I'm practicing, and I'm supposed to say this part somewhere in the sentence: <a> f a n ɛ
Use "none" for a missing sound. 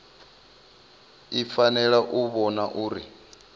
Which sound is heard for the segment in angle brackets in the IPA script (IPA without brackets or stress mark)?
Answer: i